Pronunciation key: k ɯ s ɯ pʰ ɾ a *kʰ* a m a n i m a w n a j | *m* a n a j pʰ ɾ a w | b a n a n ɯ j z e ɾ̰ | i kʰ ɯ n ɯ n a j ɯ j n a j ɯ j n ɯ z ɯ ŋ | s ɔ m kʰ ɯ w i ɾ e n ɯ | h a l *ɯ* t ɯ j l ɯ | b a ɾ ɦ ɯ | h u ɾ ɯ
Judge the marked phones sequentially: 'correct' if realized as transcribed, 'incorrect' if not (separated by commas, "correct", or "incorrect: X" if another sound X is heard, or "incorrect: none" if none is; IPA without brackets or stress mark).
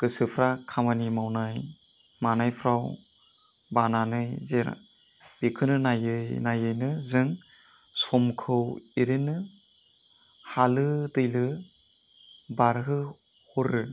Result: correct, correct, correct